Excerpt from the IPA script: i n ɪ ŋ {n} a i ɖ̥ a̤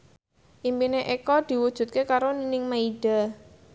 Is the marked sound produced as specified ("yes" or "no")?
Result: no